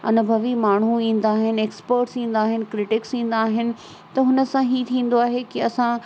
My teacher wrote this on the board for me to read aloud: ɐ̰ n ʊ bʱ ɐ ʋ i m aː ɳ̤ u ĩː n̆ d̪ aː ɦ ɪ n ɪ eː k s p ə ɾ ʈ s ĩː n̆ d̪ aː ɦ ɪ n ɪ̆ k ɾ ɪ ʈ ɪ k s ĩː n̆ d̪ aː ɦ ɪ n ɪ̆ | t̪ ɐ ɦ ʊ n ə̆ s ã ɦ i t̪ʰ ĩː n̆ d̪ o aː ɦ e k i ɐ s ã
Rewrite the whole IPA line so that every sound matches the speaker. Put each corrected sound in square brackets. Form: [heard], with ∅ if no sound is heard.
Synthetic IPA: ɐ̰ n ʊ bʱ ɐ ʋ i m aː ɳ̤ u ĩː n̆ d̪ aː ɦ ɪ n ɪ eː k s p ə ɾ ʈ s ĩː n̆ d̪ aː ɦ ɪ n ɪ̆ k ɾ ɪ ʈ ɪ k s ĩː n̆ d̪ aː ɦ ɪ n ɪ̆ | t̪ ɐ ɦ ʊ n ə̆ s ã ɦ i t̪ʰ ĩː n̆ d̪ o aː ɦ e k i ɐ s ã